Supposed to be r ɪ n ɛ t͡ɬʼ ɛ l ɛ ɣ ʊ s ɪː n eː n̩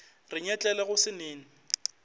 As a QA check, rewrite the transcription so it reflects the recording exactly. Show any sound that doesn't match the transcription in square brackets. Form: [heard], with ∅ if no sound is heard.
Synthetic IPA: r ɪ [ɲ] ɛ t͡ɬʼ ɛ l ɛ ɣ ʊ s [ɪ] n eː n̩